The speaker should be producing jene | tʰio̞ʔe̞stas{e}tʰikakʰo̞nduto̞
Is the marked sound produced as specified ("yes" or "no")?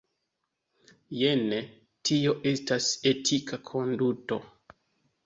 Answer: yes